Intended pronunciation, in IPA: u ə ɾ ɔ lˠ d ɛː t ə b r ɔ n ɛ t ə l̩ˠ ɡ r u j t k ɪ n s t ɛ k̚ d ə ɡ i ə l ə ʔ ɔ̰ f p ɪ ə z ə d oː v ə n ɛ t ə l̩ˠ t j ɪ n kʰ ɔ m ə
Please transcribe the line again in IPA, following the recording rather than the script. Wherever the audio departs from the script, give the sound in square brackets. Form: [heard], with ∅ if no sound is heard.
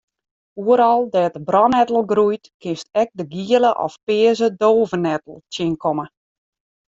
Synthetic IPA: u ə ɾ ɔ lˠ d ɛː t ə b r ɔ n ɛ t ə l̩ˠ ɡ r u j t k ɪ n s t ɛ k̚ d ə ɡ i ə l ə ʔ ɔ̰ f p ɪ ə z ə d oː v ə n ɛ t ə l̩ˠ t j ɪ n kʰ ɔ m ə